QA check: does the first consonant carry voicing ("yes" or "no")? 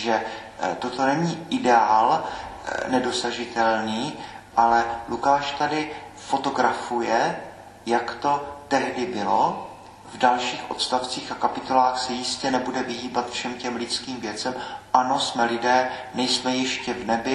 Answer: yes